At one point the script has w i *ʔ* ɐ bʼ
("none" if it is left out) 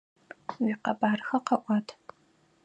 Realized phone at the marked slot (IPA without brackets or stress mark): q